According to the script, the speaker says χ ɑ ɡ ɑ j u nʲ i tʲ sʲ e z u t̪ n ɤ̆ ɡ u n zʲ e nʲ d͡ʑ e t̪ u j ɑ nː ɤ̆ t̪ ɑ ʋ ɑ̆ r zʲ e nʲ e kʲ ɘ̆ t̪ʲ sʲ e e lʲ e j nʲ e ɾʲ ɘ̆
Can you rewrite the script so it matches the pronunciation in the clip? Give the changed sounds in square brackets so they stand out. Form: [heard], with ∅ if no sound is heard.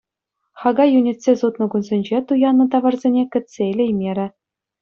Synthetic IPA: χ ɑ ɡ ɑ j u nʲ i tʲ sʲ e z u t̪ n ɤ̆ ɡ u n zʲ e nʲ d͡ʑ e t̪ u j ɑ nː ɤ̆ t̪ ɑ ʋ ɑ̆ r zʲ e nʲ e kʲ ɘ̆ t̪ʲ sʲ e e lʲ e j [mʲ] e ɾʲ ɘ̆